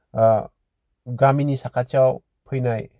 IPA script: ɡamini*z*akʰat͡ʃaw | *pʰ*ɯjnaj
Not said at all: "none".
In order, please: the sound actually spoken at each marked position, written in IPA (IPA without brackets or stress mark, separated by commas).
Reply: s, pʰ